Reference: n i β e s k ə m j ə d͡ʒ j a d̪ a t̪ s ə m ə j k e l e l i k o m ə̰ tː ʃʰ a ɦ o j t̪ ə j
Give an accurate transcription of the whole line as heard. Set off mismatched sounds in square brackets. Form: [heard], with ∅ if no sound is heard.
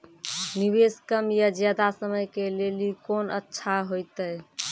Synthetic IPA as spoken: n i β e s k ə m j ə d͡ʒ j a d̪ a [∅] s ə m ə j k e l e l i k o [n] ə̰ tː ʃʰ a ɦ o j t̪ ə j

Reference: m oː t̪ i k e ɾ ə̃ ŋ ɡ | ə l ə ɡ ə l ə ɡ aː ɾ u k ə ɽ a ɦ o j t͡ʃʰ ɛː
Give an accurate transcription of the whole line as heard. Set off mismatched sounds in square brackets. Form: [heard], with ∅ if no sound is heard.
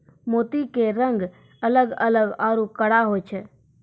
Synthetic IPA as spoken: m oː t̪ i k e ɾ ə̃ ŋ ɡ | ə l ə ɡ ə l ə ɡ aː ɾ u k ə ɽ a ɦ o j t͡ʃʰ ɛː

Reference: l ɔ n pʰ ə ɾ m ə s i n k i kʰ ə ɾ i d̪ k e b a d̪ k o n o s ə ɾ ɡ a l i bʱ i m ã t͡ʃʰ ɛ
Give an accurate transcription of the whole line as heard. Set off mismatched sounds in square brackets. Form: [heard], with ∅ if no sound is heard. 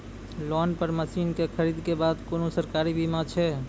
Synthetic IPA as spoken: l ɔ n [p] ə ɾ m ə s i n k [e] kʰ ə ɾ i d̪ k e b a d̪ k o n o s ə ɾ [k] a [ɾ] i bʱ i m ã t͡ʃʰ ɛ

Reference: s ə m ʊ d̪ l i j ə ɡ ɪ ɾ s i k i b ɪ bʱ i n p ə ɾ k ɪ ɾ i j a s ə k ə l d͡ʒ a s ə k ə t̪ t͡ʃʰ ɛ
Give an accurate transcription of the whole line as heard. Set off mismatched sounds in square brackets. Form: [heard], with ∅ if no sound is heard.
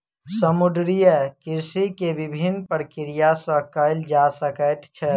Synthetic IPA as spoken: s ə m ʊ d̪ [ɾ] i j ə [k] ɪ ɾ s i k [e] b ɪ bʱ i n p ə ɾ k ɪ ɾ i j a s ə k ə l d͡ʒ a s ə k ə t̪ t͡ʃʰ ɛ

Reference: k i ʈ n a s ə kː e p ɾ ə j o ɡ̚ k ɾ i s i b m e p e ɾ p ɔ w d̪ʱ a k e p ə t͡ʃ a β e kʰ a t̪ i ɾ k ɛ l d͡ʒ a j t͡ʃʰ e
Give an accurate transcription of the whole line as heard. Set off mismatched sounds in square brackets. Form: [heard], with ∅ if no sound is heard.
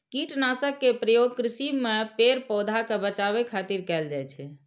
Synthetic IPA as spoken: k i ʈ n a s ə kː e p ɾ ə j o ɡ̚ k ɾ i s i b m e p e ɾ p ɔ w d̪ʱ a k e [b] ə t͡ʃ a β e kʰ a t̪ i ɾ k ɛ l d͡ʒ a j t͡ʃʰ [ɛ]

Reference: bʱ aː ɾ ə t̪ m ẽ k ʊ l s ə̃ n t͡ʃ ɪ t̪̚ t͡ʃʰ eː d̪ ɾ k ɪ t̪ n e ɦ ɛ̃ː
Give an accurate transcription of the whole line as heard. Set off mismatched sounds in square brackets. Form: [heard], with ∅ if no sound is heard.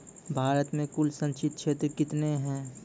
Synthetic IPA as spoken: bʱ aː ɾ ə t̪ m ẽ k ʊ l s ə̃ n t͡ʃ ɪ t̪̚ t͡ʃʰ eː [t̪] ɾ k ɪ t̪ n e ɦ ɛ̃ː

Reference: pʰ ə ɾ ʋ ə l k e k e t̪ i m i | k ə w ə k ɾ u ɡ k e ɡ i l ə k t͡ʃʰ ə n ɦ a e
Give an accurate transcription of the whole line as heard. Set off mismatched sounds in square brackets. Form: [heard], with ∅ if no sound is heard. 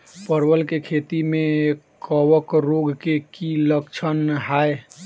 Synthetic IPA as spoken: [p] ə ɾ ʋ ə l k e [kʰ] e t̪ i m [e] | k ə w ə k ɾ [o] ɡ k e [k] i l ə k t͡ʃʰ ə n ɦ a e

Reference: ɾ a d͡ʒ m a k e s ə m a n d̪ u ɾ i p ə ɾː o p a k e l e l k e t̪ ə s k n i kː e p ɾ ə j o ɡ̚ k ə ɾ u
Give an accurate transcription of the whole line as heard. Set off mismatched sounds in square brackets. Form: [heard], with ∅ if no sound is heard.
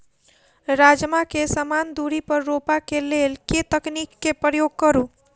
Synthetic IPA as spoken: ɾ a d͡ʒ m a k e s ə m a n d̪ u ɾ i p ə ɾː o p a k e l e l k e t̪ ə [∅] k n i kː e p ɾ ə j o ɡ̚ k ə ɾ u

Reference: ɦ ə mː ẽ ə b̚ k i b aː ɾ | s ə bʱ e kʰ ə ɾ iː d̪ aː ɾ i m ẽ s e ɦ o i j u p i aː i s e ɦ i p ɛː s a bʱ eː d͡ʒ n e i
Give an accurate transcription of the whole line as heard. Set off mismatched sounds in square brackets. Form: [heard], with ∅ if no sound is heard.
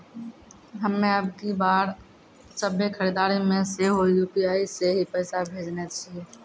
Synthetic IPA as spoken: ɦ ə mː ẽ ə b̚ k i b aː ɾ | s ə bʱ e kʰ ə ɾ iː d̪ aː ɾ i m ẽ s e ɦ o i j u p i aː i s e ɦ i p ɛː s a bʱ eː d͡ʒ n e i

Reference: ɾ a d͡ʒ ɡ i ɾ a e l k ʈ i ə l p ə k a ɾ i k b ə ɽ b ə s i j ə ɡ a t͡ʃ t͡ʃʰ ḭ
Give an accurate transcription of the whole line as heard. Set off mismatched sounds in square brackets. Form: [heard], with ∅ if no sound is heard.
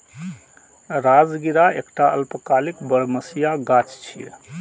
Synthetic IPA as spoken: ɾ a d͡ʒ ɡ i ɾ a e [∅] k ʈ [a] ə l p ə k a [l] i k b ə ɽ [m] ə s i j [a] ɡ a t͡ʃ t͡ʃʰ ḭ

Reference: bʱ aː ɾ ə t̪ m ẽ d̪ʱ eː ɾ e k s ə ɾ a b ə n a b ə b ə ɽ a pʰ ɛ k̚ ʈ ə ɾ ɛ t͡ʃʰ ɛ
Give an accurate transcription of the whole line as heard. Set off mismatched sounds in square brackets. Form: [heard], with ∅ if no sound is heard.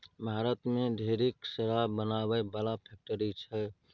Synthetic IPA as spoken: bʱ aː ɾ ə t̪ m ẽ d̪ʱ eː ɾ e k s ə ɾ a b ə n a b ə b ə [l] a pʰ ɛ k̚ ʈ ə ɾ [i] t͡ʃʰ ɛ

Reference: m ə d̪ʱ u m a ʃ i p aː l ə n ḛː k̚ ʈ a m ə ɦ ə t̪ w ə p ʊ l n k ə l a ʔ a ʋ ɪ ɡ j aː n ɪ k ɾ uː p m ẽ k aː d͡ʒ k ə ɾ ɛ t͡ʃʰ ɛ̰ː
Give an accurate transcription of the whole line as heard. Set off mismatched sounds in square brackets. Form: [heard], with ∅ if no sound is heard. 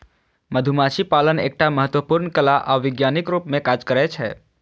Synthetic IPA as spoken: m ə d̪ʱ u m a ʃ i p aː l ə n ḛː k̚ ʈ a m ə ɦ ə t̪ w ə p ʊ [ɾ] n k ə l a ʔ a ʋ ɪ ɡ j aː n ɪ k ɾ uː p m ẽ k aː d͡ʒ k ə ɾ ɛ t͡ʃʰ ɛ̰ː

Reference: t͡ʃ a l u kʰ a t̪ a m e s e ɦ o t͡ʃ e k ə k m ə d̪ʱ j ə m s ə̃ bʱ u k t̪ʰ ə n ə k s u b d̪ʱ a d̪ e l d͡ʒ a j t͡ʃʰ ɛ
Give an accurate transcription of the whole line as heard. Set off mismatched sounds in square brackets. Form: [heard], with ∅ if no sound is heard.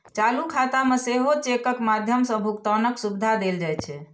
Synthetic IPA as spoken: t͡ʃ a l u kʰ a t̪ a m e s e ɦ o t͡ʃ e k ə k m [a] d̪ʱ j ə m s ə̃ bʱ u k [t̪] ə n ə k s u b d̪ʱ a d̪ e l d͡ʒ a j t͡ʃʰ ɛ

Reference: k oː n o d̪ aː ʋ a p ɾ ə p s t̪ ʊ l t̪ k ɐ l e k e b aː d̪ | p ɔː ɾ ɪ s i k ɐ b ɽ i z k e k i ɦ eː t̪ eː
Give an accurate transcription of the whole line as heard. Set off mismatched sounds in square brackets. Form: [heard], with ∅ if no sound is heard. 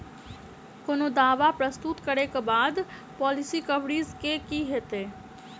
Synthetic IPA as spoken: k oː n o d̪ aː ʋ a p ɾ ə [∅] s t̪ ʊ [∅] t̪ k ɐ [ɾ] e k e b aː d̪ | p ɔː [l] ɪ s i k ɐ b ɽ i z k e k i ɦ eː t̪ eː

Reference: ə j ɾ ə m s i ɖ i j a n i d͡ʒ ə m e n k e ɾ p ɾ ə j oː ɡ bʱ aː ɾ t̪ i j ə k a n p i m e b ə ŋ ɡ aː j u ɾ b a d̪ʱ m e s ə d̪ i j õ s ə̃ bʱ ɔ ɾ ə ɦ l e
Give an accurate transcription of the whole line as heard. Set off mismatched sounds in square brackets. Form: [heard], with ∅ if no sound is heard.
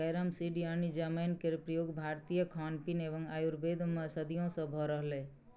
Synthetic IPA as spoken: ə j ɾ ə m s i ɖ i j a n i d͡ʒ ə m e n k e ɾ p ɾ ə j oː ɡ bʱ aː ɾ t̪ i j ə [kʰ] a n p i [n] e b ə ŋ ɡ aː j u ɾ b [e] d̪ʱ m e s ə d̪ i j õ s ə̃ bʱ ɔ ɾ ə ɦ l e

